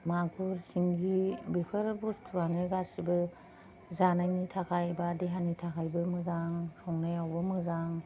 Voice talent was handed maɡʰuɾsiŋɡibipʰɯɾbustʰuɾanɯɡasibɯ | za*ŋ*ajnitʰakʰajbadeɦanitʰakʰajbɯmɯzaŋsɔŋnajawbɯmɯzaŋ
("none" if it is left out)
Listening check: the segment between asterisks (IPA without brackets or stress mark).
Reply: n